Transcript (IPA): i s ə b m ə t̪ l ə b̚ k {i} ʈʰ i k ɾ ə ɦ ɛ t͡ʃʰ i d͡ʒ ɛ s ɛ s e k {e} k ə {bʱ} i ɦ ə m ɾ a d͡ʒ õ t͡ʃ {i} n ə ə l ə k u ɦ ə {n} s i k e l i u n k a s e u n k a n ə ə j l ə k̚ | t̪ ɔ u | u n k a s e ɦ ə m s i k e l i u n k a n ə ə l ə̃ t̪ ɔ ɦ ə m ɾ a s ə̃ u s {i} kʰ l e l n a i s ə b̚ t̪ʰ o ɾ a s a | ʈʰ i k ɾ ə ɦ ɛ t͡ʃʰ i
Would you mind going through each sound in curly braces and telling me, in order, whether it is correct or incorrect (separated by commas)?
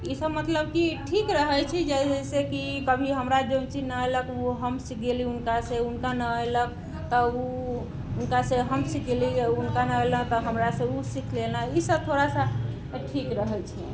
correct, incorrect, correct, correct, incorrect, correct